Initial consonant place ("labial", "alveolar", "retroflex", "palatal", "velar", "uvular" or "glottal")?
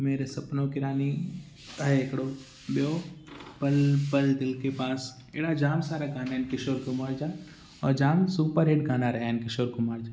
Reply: labial